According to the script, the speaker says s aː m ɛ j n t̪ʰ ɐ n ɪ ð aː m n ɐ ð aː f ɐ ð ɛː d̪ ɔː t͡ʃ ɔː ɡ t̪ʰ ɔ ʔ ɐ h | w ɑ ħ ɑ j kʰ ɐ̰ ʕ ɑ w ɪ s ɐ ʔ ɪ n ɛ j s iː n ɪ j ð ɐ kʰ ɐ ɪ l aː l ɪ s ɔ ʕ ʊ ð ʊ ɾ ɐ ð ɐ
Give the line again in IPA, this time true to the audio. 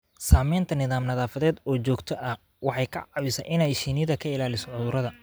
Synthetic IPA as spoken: s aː m ɛ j n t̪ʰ ɐ n ɪ ð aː m n ɐ ð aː f ɐ ð ɛː d̪ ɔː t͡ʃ ɔː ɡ t̪ʰ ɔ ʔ ɐ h | w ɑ ħ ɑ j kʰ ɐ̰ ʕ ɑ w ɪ s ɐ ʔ ɪ n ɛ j ʃ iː n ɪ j ð ɐ kʰ ɐ ɪ l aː l ɪ s ɔ ʕ ʊ ð ʊ ɾ ɐ ð ɐ